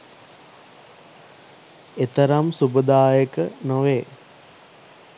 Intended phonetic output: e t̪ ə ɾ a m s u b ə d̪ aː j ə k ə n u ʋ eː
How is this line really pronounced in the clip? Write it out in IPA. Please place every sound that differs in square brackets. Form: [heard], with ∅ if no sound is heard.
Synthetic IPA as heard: e t̪ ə ɾ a m s u b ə d̪ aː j ə k ə n [o] ʋ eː